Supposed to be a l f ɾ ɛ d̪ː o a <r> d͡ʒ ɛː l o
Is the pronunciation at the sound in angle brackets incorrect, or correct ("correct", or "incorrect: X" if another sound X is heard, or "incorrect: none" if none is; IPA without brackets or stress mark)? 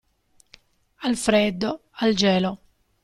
incorrect: l